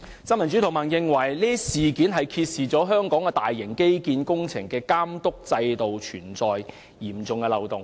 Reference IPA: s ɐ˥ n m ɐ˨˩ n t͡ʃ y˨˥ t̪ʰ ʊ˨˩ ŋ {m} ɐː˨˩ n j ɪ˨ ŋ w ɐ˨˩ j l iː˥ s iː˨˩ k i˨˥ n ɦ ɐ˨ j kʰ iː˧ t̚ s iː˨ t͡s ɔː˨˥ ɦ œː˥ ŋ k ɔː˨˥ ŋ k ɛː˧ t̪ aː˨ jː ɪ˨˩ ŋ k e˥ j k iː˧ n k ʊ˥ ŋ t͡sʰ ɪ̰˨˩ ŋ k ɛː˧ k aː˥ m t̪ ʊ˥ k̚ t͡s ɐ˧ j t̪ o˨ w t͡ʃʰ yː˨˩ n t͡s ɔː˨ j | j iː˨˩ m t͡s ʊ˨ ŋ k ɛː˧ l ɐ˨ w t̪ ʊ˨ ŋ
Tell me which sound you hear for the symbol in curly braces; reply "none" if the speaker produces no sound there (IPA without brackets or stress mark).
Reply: m